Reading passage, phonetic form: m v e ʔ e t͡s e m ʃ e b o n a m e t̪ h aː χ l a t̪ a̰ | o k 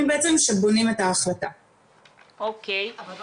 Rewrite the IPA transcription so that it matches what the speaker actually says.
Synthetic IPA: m b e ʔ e t͡s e m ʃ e b o n i m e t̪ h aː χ l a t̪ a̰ | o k